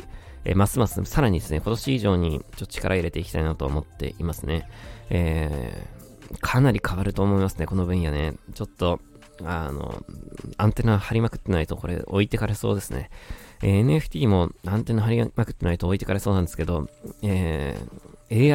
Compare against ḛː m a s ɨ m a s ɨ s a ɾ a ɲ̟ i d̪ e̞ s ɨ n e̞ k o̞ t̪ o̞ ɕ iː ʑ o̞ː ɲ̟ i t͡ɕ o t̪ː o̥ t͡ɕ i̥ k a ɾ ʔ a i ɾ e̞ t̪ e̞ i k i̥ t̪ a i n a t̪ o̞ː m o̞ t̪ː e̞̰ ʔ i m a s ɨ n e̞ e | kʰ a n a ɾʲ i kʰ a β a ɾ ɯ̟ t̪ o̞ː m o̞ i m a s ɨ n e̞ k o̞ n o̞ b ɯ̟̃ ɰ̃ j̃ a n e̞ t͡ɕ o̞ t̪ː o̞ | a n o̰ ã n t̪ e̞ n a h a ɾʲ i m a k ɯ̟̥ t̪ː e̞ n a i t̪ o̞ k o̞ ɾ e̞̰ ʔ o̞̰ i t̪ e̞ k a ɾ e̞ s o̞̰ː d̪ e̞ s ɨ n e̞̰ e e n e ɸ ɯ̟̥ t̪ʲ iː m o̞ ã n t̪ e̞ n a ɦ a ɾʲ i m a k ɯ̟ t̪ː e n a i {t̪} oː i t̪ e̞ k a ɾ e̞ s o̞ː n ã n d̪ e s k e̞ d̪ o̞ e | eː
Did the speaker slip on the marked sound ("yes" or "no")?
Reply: no